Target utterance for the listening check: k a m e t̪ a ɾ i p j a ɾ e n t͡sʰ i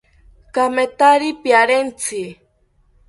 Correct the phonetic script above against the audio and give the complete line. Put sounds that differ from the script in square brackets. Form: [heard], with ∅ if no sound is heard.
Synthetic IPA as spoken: k a m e t̪ a ɾ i p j a ɾ e n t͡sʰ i